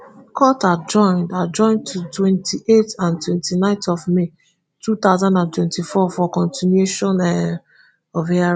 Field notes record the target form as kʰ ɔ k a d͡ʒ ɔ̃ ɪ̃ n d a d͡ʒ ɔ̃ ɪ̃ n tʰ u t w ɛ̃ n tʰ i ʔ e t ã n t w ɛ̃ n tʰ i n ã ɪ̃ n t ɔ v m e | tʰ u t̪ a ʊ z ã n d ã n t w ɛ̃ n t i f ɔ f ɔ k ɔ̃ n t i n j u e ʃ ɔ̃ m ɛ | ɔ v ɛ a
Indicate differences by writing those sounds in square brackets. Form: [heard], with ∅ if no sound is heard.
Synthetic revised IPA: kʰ ɔ [t] a d͡ʒ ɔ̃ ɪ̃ n d a d͡ʒ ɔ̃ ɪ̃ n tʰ u t w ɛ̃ n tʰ i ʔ e t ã n t w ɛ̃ n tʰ i n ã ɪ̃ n t ɔ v m e | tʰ u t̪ a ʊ z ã n d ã n t w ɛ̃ n t i f ɔ f ɔ k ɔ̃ n t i n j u e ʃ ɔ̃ [n] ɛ | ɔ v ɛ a

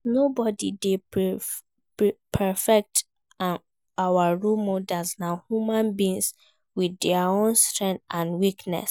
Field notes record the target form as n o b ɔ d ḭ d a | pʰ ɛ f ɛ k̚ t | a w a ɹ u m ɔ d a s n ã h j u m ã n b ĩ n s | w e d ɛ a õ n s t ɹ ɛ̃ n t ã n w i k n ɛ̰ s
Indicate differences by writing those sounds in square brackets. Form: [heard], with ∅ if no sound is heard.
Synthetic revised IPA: n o b ɔ d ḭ d [e] | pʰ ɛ f ɛ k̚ t | a w a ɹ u m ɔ d a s n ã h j u m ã n b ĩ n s | w [i] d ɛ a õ n s t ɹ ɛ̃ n t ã n w i k n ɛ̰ s

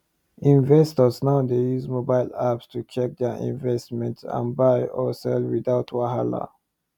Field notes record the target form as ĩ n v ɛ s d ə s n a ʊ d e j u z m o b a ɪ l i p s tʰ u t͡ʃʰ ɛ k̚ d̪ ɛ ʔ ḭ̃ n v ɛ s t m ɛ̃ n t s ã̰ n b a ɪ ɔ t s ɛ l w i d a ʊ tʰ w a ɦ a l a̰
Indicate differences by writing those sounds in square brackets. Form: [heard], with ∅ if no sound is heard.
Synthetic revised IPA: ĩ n v ɛ s [t] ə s n a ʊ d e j u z m o b a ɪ l [a] p s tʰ u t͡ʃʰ ɛ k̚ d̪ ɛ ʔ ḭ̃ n v ɛ s t m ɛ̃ n t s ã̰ n b a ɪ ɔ [∅] s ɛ l w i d a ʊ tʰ w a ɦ a l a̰

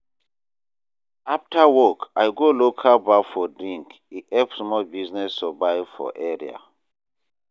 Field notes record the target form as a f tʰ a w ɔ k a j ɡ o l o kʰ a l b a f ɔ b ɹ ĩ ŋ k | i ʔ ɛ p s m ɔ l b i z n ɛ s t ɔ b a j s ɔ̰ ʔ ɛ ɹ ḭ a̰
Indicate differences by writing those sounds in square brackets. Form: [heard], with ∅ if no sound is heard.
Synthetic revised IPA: a f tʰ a w ɔ k a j ɡ o l o kʰ a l b a f ɔ [d] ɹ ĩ ŋ k | i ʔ ɛ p s m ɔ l b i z n ɛ s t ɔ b a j [f] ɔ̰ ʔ ɛ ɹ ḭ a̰

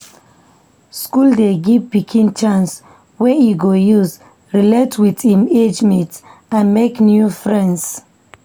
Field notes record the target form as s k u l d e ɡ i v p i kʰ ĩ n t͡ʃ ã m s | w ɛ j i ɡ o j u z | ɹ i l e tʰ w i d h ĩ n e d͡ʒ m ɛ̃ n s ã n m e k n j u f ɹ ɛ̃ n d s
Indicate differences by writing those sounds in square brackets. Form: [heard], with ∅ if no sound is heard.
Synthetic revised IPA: s k u l d e ɡ i v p i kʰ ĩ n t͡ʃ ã [n] s | w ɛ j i ɡ o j u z | ɹ i l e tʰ w i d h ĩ [m] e d͡ʒ m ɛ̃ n [t] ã n m e k n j u f ɹ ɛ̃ n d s

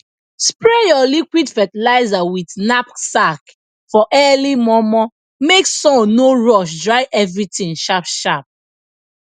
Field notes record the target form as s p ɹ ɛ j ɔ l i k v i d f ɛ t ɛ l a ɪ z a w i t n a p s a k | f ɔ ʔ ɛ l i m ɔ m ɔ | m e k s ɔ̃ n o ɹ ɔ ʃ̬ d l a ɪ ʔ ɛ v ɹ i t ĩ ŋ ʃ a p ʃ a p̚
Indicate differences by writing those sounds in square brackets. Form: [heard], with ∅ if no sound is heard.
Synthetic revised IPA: s p ɹ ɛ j ɔ l i k [w] i d f ɛ t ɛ l a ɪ z a w i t n a p s a k | f ɔ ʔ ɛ l i m ɔ m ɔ | m e k s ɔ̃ n o ɹ ɔ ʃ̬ d [ɹ] a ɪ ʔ ɛ v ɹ i t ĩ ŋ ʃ a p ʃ a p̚

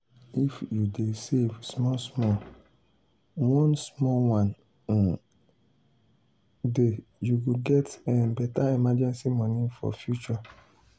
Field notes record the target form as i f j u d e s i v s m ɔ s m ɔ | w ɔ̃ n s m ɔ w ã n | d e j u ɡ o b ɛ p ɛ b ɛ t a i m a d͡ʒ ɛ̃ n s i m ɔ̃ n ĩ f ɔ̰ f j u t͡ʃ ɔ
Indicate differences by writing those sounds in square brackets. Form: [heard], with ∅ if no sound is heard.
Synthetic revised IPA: i f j u d e s [e] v s m ɔ s m ɔ | w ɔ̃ n s m ɔ w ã n | d e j u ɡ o [ɡ] ɛ [t] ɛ b ɛ t a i m a d͡ʒ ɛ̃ n s i m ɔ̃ n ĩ f ɔ̰ f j u t͡ʃ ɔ

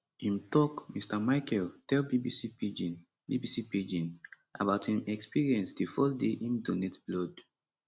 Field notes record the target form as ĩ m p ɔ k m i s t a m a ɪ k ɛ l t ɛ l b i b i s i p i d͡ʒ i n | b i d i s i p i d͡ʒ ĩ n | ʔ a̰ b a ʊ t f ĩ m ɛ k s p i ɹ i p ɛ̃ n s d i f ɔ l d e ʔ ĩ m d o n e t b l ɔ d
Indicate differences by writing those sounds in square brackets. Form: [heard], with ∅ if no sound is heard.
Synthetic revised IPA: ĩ m [t] ɔ k m i s t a m a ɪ k ɛ l t ɛ l b i b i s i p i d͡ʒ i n | b i [b] i s i p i d͡ʒ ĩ n | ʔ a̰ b a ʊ t [h] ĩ m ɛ k s p i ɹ i [∅] ɛ̃ n s d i f ɔ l d e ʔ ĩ m d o n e t b l ɔ d

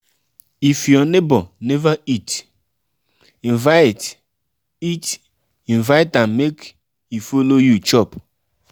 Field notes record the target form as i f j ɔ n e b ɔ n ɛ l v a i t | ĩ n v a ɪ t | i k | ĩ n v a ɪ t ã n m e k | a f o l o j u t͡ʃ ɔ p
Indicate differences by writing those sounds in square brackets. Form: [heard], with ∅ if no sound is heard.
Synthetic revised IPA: i f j ɔ n e b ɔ n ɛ [∅] v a i t | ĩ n v a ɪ t | i [t] | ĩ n v a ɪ t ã n m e k | [i] f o l o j u t͡ʃ ɔ p

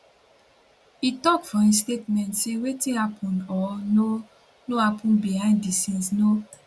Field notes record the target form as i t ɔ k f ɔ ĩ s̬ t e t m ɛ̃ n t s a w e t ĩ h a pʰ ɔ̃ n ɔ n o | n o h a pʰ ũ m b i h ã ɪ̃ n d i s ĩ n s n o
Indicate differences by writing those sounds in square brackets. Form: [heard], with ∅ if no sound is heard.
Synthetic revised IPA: i t ɔ k f ɔ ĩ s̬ t e t m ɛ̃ n t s [e] w e t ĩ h a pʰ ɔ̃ n ɔ n o | n o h a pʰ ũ [n] b i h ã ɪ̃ n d i s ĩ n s n o

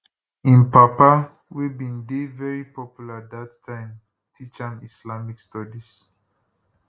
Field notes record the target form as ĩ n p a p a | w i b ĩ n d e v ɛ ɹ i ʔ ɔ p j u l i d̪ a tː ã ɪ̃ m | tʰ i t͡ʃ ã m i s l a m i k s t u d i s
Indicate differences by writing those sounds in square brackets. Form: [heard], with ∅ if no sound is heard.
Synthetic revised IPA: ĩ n p a p a | w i b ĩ n d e v ɛ ɹ i [p] ɔ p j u l [a] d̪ a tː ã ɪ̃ m | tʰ i t͡ʃ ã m i s l a m i k s t [ɔ] d i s

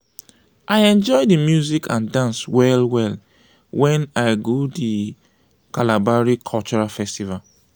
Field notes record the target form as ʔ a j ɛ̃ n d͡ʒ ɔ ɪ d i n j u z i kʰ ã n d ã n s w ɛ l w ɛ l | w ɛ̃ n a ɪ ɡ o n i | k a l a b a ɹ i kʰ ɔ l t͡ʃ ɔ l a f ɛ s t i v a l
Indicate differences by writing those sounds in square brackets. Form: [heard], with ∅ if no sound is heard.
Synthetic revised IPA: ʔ a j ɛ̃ n d͡ʒ ɔ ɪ d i [m] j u z i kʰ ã n d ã n s w ɛ l w ɛ l | w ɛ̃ n a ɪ ɡ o [d] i | k a l a b a ɹ i kʰ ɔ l t͡ʃ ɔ [ɹ] a f ɛ s t i v a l

